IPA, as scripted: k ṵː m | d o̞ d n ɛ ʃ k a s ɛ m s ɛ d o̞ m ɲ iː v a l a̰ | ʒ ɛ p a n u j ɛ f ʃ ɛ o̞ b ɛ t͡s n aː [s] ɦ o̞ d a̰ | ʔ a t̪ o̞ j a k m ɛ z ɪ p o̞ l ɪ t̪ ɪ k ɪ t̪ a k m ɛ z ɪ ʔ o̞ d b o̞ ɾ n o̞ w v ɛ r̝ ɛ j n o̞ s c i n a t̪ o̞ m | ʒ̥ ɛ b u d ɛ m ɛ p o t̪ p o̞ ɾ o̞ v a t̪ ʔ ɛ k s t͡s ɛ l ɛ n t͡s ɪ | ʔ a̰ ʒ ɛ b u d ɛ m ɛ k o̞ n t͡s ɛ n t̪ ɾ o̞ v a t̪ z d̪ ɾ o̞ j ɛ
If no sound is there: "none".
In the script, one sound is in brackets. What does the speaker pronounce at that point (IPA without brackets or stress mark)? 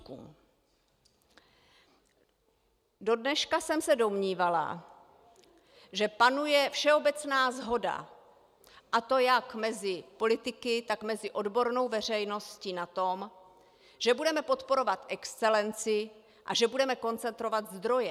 z